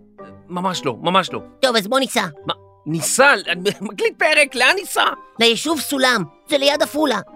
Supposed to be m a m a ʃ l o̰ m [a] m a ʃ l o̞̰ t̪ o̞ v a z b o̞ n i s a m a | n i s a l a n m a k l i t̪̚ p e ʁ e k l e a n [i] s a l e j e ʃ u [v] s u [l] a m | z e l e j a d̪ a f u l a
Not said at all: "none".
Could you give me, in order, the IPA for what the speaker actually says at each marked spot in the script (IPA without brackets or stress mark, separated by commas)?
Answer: a, i, v, l